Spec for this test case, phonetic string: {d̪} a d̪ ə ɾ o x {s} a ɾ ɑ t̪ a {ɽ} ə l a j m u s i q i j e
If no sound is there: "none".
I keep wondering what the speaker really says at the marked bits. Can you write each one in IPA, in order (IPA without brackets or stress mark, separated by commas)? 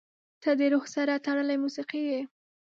t̪, s, ɽ